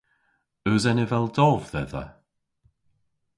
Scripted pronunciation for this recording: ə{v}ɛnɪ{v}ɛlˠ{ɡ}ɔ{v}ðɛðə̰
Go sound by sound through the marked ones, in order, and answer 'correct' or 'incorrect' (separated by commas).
incorrect, correct, incorrect, correct